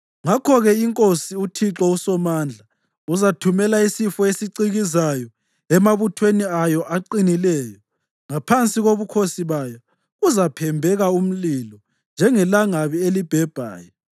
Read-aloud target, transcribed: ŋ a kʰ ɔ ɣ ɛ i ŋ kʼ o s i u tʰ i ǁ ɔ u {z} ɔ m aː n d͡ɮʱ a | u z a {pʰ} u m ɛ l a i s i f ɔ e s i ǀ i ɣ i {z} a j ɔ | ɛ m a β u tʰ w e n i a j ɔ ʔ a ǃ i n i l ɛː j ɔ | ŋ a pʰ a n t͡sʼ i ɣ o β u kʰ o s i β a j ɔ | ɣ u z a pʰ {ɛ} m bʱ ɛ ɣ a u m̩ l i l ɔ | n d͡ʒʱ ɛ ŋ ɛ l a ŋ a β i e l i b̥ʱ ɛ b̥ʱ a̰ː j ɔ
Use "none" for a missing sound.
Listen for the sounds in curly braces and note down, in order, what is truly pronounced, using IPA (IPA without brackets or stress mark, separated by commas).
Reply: s, tʰ, z, ɛ